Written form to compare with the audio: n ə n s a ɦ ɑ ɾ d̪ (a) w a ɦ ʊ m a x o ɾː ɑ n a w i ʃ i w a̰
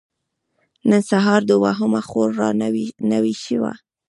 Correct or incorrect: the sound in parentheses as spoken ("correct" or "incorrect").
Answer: incorrect